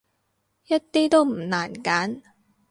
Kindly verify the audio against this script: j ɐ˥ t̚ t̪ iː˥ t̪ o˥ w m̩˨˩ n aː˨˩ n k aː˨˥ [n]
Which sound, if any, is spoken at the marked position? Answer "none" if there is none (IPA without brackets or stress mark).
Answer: n